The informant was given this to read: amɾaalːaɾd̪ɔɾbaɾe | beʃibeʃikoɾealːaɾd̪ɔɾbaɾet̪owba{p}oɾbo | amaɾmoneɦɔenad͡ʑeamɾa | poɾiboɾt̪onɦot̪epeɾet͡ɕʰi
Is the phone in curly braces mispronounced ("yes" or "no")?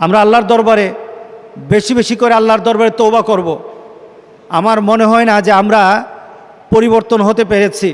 yes